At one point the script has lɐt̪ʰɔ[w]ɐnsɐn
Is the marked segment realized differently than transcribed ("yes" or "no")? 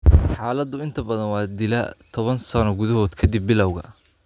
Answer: yes